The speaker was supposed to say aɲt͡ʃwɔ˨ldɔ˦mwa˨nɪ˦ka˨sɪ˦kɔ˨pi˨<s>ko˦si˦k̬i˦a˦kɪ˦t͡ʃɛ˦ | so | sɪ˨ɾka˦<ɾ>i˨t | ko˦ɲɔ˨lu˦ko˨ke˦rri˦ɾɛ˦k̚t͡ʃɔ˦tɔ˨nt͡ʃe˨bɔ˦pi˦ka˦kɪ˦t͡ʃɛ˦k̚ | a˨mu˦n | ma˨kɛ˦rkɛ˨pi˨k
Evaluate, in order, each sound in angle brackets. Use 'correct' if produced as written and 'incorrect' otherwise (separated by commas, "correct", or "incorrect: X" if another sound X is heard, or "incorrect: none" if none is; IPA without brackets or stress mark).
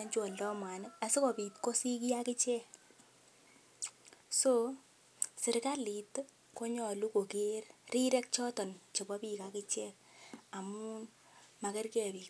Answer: incorrect: t, incorrect: l